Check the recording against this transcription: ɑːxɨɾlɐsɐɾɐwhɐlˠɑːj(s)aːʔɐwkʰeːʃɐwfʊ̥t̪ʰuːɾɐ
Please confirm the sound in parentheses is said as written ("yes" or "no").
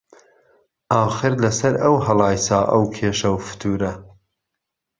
yes